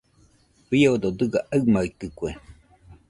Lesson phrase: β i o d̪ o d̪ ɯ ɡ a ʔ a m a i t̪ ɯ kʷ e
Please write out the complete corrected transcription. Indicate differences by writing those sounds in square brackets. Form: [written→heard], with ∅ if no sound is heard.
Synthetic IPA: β i o d̪ o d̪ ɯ ɡ a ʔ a m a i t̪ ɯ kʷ e